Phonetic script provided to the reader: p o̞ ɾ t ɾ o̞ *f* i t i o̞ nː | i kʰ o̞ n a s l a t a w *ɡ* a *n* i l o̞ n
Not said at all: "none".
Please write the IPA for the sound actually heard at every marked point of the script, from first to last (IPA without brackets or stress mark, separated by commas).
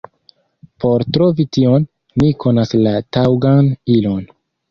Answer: v, ɡ, n